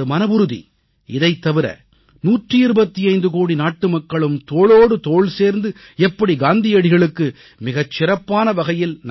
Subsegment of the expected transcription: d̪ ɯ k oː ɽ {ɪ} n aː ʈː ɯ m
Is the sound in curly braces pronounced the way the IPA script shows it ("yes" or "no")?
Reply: no